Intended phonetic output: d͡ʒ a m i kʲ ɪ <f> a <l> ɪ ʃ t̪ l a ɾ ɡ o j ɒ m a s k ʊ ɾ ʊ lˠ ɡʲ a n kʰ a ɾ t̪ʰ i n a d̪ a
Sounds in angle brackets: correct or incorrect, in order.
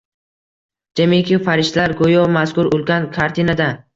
correct, incorrect

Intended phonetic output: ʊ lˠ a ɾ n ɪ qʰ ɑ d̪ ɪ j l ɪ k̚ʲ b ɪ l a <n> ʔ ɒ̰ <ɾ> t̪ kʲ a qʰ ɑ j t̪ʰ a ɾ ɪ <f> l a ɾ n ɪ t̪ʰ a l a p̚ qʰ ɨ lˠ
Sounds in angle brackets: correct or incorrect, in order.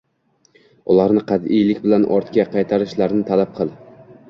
correct, correct, incorrect

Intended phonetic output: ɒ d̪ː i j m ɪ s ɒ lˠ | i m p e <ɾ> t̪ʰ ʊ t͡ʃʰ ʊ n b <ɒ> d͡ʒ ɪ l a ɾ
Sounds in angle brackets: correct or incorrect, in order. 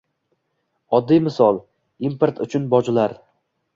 correct, correct

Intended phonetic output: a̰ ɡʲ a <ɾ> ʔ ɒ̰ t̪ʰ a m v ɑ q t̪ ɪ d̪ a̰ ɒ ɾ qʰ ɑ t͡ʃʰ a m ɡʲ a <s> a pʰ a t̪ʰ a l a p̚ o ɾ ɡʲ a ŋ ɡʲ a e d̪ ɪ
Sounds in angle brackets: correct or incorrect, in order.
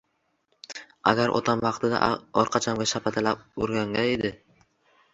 correct, incorrect

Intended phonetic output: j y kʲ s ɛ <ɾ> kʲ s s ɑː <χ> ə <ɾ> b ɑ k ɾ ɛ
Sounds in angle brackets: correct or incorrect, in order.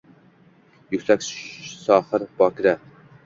incorrect, correct, correct

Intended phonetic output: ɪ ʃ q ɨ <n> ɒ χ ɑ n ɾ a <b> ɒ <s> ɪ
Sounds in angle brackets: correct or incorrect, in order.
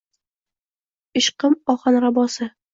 incorrect, correct, correct

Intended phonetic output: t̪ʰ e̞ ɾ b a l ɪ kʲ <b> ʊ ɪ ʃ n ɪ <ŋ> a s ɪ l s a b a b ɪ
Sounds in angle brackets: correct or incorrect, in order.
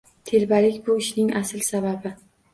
correct, correct

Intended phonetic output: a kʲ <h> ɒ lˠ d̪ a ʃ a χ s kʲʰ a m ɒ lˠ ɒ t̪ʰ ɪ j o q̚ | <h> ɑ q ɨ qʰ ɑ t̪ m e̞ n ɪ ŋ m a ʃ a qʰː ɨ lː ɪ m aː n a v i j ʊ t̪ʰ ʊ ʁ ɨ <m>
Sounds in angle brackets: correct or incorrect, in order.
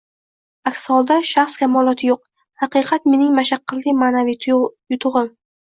incorrect, correct, correct

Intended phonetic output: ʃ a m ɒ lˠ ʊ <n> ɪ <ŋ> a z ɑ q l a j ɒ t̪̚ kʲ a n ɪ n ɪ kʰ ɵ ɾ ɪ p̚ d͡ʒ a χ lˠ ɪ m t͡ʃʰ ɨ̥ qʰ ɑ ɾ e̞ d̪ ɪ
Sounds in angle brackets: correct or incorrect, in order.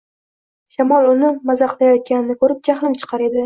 correct, incorrect

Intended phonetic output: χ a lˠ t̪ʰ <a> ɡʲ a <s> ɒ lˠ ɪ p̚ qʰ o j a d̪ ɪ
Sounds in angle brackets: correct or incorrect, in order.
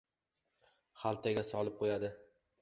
correct, correct

